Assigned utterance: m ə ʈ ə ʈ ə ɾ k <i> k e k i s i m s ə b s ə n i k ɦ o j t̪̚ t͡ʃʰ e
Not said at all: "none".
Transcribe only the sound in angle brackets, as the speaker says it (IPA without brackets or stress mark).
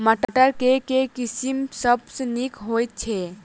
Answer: e